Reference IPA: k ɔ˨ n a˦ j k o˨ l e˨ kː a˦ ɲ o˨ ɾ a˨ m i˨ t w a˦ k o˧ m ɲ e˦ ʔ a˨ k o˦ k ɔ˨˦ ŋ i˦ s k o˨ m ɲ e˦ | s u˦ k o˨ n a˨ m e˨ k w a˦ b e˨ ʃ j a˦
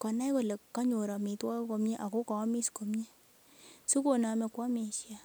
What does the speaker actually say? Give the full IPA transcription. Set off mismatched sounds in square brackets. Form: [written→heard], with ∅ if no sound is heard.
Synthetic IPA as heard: k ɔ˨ n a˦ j k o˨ l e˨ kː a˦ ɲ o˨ ɾ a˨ m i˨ t w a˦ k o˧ m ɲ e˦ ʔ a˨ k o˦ k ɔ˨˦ [ŋ→m] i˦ s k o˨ m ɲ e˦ | s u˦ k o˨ n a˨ m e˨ k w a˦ [b→m] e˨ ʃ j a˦

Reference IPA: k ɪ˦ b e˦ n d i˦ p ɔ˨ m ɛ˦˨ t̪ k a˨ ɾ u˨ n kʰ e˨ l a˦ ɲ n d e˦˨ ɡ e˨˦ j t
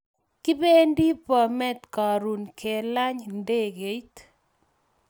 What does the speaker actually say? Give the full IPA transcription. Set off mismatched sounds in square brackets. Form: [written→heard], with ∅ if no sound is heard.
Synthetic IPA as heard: k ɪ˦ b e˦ n d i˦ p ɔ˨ m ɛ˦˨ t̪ k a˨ ɾ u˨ n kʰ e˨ l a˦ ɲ n d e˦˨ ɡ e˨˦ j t

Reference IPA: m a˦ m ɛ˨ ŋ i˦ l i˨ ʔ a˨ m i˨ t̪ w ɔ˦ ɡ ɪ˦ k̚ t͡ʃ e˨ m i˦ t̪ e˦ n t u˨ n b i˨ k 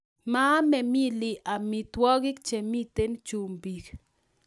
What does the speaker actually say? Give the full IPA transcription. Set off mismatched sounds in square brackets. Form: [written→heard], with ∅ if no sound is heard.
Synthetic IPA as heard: m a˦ m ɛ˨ [ŋ→m] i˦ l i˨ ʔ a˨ m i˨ t̪ w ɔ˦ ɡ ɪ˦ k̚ t͡ʃ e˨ m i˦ t̪ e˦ n [t→t͡ʃ] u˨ [n→m] b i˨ k

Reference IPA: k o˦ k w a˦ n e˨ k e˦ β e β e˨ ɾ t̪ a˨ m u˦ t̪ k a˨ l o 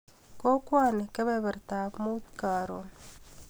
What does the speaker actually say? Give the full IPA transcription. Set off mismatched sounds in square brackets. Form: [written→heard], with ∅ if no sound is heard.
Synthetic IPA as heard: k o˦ k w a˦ n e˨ k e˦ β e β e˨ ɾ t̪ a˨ m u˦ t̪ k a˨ [l→ɾ] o

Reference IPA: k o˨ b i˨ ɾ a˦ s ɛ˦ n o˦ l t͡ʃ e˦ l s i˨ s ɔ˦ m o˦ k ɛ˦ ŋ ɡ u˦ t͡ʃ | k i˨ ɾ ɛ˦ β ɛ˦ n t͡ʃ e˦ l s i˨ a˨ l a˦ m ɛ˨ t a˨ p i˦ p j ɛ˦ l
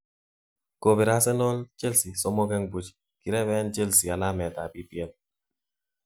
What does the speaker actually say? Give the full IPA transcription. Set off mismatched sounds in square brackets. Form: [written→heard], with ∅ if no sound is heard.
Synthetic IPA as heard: k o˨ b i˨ ɾ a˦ s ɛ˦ n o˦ l t͡ʃ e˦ l s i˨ s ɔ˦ m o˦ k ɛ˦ ŋ [ɡ→b] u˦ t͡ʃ | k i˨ ɾ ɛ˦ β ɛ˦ n t͡ʃ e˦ l s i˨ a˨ l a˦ m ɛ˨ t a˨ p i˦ p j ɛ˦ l

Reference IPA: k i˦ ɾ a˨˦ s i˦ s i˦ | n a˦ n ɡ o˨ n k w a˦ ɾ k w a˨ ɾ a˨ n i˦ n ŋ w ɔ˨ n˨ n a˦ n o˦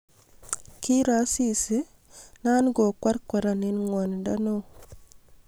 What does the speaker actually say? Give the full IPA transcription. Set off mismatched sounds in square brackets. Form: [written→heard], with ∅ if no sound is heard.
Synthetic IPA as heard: k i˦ ɾ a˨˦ s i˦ s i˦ | n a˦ n ɡ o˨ [n→∅] k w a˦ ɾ k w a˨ ɾ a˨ n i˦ n ŋ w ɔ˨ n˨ [n→d] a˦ n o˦

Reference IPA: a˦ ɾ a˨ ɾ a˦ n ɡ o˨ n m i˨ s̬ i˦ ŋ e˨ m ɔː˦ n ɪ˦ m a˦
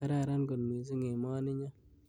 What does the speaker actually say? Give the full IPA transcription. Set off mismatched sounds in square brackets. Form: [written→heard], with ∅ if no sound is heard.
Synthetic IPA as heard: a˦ ɾ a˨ ɾ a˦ n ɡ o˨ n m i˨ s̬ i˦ ŋ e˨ m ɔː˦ n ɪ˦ [m→ɲ] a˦

